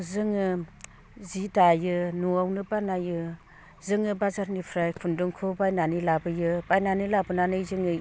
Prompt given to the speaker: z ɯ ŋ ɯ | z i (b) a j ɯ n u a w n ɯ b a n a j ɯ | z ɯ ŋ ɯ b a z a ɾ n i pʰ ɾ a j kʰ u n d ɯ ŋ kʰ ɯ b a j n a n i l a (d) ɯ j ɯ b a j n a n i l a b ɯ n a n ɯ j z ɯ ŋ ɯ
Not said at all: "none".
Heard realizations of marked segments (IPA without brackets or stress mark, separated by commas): d, b